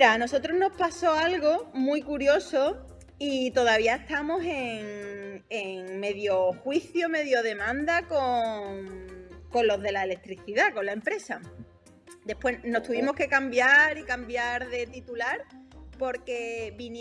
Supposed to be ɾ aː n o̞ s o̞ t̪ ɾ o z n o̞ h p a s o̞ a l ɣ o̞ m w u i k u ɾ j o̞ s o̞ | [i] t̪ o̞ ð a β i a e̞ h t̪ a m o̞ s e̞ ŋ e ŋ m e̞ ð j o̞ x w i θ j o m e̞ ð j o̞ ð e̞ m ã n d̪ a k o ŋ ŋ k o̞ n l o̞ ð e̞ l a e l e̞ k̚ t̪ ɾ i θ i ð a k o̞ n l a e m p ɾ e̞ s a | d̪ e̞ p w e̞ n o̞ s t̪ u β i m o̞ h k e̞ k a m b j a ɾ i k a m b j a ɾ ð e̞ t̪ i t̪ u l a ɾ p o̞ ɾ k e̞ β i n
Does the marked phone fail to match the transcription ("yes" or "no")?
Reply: no